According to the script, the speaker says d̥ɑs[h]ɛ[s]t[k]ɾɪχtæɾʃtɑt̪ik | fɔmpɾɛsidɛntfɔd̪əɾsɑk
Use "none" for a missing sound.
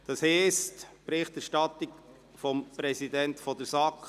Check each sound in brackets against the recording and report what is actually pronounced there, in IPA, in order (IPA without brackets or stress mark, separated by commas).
h, s, p